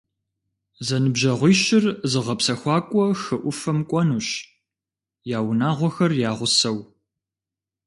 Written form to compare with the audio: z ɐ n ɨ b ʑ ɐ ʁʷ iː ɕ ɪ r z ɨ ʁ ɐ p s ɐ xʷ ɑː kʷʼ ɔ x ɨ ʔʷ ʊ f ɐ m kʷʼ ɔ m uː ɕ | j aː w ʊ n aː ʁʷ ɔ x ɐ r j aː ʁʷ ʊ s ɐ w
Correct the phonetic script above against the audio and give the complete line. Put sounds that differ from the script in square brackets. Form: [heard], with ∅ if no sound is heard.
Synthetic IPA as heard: z ɐ n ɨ b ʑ ɐ ʁʷ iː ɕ ɪ r z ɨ ʁ ɐ p s ɐ xʷ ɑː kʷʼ ɔ x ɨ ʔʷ ʊ f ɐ m kʷʼ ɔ [n] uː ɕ | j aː w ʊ n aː ʁʷ ɔ x ɐ r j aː ʁʷ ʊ s ɐ w